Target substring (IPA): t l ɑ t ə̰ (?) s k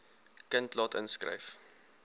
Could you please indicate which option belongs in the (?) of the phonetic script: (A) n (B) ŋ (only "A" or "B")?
A